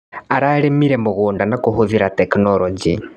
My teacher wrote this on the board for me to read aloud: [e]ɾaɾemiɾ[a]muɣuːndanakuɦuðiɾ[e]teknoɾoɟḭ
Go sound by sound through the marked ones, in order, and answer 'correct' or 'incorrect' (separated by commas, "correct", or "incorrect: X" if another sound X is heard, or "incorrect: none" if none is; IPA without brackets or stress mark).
incorrect: a, incorrect: e, incorrect: a